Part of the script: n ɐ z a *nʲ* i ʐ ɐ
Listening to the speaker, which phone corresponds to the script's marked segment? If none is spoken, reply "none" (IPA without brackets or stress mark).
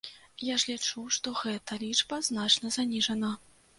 nʲ